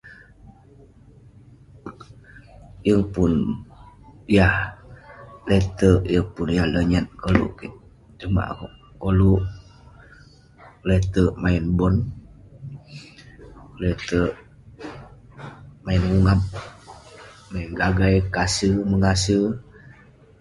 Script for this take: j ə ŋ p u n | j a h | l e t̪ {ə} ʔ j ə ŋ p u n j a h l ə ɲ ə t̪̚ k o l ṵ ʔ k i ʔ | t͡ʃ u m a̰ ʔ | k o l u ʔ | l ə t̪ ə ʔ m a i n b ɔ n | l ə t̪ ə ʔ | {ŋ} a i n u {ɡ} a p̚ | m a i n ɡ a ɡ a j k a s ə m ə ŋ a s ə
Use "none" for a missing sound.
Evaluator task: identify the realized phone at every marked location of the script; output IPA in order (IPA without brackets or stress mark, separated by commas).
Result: ə, m, ŋ